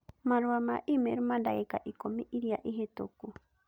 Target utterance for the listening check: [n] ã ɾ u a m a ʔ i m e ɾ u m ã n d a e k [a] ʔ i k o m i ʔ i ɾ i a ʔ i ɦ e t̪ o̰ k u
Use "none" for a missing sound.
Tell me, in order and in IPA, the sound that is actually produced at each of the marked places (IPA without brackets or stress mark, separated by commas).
m, a